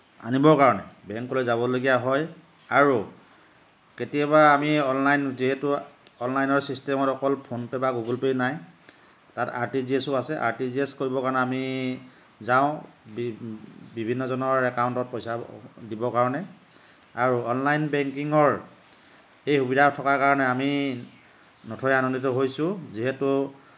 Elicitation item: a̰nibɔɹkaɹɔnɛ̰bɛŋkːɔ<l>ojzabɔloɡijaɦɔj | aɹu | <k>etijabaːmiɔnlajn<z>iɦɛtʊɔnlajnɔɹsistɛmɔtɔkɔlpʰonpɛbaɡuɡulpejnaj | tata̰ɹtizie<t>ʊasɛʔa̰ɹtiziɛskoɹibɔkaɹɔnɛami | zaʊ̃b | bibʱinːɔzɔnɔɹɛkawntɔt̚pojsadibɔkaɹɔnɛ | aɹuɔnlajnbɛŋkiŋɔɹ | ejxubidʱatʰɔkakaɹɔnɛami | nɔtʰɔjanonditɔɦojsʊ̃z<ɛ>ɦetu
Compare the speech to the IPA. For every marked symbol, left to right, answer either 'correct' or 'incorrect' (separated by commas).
correct, correct, correct, incorrect, incorrect